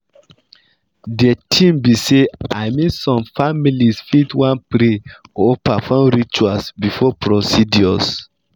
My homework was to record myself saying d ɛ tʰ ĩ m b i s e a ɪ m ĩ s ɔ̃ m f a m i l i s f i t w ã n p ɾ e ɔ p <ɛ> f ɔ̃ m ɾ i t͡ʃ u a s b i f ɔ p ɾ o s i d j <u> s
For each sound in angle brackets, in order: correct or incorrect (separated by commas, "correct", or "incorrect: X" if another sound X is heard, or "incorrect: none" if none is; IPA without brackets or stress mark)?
incorrect: a, incorrect: ɔ